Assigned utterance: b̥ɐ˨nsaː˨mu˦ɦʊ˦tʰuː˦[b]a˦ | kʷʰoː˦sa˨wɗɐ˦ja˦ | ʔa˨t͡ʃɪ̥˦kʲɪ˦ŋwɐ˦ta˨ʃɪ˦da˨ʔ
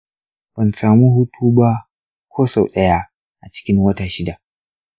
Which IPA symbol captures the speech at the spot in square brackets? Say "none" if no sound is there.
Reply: b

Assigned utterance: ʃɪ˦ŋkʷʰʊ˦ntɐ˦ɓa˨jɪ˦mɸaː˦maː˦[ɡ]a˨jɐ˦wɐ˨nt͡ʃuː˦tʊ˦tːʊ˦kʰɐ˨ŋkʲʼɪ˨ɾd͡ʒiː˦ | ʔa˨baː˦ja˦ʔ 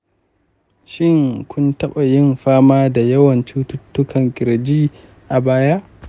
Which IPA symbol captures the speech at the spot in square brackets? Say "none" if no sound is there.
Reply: d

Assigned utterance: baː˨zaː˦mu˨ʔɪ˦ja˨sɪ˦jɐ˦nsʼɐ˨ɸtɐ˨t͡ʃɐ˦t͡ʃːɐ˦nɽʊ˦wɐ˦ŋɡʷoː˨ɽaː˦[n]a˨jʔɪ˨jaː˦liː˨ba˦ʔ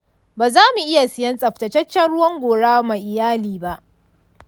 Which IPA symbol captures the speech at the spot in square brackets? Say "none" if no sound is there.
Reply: m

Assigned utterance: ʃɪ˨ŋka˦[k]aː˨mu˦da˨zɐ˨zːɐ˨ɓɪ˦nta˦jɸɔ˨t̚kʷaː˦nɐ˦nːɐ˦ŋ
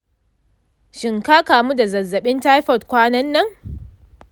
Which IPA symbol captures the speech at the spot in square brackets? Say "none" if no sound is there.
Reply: k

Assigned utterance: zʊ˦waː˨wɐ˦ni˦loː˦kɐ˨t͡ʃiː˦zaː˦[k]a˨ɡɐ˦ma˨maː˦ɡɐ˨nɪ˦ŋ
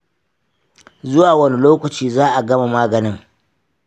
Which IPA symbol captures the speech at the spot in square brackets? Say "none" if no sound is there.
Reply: ʔ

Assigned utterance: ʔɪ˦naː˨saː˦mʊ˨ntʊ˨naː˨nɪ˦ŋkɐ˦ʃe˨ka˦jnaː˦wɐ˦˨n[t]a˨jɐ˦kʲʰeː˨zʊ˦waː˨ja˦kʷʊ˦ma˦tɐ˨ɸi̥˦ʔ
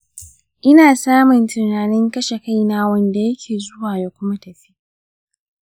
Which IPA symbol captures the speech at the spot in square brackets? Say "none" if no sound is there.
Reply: d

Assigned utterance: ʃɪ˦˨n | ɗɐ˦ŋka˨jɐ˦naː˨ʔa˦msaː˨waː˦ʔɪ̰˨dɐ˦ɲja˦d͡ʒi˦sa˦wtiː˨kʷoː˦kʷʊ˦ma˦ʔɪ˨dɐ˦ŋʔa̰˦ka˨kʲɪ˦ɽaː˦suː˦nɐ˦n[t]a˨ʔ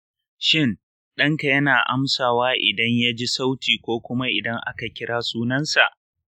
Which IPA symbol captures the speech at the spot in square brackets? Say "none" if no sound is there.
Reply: s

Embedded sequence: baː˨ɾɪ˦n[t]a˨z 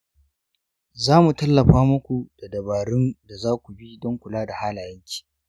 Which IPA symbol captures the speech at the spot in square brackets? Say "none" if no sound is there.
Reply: d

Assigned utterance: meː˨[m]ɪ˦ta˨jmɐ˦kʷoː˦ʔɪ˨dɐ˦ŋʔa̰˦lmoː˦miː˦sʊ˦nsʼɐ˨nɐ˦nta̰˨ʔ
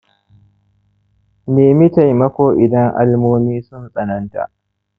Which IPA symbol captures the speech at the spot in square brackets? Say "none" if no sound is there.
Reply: m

